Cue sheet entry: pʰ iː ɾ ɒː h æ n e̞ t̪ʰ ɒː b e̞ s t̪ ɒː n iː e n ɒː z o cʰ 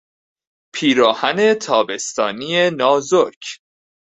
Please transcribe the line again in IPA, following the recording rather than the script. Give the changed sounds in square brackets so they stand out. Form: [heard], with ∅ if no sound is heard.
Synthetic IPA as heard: pʰ iː ɾ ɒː h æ n e̞ t̪ʰ ɒː b e̞ s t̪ ɒː n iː e n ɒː z o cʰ